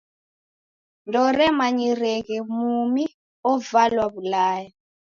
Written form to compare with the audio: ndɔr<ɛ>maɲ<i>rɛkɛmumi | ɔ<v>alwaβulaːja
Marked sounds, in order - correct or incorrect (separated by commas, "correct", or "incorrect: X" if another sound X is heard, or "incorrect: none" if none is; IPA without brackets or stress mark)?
correct, correct, correct